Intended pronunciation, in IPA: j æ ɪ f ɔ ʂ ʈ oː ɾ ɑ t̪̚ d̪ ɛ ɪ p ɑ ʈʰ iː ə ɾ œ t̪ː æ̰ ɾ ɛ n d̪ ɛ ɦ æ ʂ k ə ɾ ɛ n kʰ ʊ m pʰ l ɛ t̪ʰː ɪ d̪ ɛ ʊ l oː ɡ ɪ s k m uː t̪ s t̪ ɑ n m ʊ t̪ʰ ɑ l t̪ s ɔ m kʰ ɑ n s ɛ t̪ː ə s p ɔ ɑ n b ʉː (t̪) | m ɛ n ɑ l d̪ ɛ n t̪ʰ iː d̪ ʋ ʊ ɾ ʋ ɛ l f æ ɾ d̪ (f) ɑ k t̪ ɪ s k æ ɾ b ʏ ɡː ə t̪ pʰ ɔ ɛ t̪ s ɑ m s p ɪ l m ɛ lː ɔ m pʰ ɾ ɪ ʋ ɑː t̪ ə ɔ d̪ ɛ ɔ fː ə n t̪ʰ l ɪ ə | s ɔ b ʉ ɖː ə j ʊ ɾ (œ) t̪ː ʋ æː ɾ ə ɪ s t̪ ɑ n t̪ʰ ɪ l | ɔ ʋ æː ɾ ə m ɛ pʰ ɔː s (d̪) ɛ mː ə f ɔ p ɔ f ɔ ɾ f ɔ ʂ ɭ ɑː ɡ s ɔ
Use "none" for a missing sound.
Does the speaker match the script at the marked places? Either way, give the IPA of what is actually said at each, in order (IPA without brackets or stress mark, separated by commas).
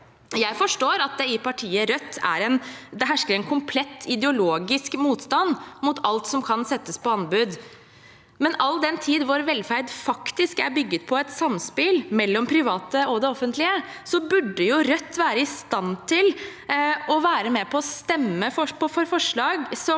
d̪, f, œ, t̪